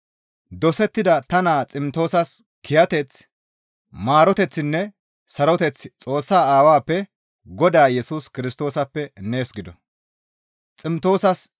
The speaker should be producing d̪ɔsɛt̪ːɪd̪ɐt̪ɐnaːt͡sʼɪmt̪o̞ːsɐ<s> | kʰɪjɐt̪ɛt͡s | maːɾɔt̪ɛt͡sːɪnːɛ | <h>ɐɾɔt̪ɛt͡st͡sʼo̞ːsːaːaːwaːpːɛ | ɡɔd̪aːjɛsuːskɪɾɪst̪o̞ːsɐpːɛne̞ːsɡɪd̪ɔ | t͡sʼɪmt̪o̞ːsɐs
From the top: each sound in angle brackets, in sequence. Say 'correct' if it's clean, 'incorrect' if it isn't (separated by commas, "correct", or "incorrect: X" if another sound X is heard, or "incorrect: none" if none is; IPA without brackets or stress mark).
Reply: correct, incorrect: s